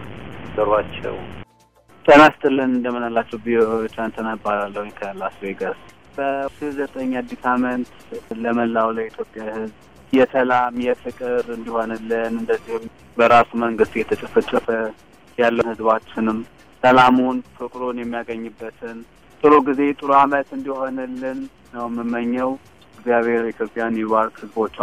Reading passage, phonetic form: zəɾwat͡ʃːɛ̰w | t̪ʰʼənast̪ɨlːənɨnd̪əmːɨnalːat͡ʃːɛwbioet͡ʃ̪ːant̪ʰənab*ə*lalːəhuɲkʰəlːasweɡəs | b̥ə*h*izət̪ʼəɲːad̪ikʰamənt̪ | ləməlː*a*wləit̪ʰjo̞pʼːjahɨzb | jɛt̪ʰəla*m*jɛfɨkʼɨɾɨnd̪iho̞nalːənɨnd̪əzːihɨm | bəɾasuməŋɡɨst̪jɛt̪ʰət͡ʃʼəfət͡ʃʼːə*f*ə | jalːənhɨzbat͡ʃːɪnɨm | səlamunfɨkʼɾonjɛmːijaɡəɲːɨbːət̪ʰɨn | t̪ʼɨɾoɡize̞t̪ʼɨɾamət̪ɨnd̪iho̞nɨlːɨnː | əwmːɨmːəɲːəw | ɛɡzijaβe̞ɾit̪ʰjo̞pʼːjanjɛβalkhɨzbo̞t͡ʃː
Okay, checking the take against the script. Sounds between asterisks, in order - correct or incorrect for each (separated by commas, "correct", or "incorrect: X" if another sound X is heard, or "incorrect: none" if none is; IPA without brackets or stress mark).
incorrect: a, incorrect: ʃ, correct, correct, correct